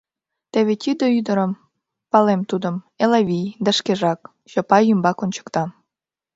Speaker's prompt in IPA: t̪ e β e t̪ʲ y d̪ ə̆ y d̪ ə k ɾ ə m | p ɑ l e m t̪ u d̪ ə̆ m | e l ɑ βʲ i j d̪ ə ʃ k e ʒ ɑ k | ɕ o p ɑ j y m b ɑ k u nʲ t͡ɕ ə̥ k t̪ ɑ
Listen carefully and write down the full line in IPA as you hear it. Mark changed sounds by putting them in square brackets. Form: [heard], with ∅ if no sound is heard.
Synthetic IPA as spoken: t̪ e β e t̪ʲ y d̪ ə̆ y d̪ ə [∅] ɾ ə m | p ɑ l e m t̪ u d̪ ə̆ m | e l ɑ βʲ i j d̪ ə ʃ k e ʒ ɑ k | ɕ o p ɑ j y m b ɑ k [o] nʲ t͡ɕ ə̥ k t̪ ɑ